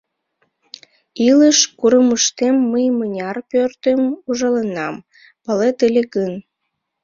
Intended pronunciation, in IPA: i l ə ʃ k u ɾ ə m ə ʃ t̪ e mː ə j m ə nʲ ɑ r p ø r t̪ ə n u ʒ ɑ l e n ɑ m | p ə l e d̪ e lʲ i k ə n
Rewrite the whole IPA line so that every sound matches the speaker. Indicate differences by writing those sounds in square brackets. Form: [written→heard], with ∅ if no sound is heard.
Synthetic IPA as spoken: i l ə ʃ k u ɾ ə m ə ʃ t̪ e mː ə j m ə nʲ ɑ r p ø r t̪ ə [n→m] u ʒ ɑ l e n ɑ m | p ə l e [d̪→t̪] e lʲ [i→e] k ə n